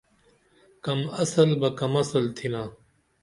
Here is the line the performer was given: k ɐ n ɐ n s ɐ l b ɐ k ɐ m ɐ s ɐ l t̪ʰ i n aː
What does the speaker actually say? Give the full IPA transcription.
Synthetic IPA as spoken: k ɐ m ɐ s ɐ l b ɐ k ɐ m ɐ s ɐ l t̪ʰ i n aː